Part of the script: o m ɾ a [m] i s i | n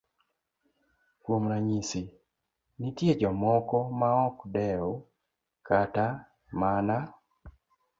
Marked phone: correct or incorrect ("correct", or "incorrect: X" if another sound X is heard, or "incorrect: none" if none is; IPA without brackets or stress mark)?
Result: incorrect: ɲ